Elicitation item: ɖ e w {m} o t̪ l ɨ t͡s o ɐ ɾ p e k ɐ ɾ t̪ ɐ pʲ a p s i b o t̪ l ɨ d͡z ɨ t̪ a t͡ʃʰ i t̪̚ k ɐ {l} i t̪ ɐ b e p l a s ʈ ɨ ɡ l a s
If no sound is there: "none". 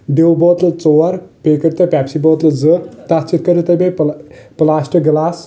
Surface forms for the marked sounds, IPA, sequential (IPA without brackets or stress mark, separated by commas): b, ɾ